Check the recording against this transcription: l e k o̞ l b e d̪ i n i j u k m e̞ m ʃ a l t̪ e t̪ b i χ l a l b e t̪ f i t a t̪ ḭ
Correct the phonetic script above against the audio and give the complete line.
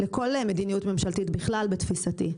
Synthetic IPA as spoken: l e k o̞ l m e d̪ i n i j u t m e̞ m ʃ a l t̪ i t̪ b i χ l a l b e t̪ f i s a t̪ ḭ